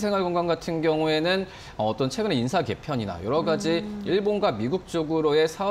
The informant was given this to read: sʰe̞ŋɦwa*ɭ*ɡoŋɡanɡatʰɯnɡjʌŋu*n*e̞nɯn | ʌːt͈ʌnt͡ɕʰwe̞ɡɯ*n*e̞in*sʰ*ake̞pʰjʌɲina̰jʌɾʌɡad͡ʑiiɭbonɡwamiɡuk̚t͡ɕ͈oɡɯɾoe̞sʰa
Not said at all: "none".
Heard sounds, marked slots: ɭ, none, n, sʰ

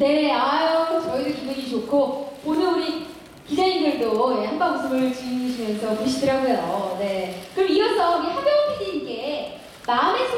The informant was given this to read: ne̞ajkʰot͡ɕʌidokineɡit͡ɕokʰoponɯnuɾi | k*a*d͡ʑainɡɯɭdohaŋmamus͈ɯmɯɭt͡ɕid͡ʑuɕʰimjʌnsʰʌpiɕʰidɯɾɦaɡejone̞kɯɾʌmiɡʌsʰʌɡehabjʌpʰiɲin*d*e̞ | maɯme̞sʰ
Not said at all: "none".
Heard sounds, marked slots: i, ɡ

